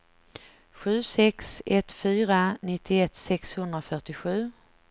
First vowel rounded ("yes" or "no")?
yes